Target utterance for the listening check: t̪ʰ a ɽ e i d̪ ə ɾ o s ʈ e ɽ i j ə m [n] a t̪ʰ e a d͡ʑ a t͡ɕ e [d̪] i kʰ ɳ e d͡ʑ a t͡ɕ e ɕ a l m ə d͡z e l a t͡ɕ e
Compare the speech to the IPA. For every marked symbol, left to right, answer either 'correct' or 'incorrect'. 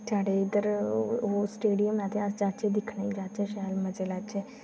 correct, correct

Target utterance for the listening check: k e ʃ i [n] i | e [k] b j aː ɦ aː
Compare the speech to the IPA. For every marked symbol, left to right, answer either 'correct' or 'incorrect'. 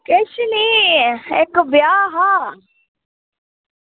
correct, correct

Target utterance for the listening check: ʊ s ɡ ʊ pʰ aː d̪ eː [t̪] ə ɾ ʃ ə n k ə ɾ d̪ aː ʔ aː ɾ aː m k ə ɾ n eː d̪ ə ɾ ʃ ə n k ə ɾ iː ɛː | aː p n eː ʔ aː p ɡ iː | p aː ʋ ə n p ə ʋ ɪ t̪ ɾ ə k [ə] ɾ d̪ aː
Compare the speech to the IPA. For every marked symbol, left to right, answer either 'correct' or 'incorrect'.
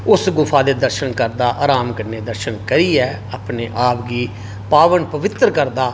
incorrect, correct

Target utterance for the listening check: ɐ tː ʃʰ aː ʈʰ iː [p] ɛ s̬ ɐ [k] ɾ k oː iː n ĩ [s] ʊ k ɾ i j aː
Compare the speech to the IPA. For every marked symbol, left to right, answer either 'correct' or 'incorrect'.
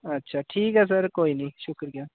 incorrect, incorrect, incorrect

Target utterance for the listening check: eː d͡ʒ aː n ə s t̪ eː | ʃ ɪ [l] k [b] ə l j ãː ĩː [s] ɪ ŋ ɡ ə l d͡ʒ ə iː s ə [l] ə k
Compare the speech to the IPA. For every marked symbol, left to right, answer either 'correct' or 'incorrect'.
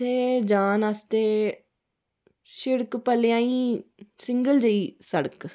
incorrect, incorrect, correct, incorrect

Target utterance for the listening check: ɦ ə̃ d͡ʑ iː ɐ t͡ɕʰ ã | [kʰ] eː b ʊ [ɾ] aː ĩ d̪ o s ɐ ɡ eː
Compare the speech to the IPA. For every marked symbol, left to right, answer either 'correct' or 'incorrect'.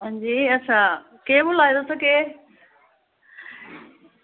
incorrect, incorrect

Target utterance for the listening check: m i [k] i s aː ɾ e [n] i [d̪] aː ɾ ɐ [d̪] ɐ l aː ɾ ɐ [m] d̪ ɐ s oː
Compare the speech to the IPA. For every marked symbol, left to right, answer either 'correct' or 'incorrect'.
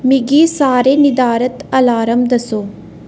incorrect, correct, correct, incorrect, correct

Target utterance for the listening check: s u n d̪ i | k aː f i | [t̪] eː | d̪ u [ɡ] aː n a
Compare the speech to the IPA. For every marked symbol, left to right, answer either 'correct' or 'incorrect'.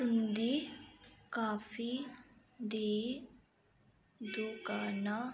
incorrect, incorrect

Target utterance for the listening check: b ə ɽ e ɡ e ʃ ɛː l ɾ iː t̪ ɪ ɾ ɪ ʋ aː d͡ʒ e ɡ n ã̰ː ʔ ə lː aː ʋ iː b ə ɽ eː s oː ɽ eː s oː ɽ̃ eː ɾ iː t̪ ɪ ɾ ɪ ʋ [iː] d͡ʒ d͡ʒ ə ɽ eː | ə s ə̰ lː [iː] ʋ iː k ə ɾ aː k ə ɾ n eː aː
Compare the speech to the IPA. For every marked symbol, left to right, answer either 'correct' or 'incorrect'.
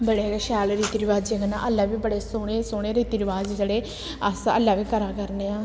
incorrect, incorrect

